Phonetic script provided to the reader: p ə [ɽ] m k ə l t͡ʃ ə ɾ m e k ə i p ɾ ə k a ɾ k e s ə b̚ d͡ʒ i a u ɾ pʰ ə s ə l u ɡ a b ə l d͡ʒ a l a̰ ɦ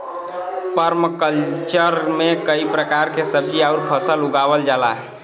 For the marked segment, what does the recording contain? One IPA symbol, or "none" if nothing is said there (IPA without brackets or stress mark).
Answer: ɾ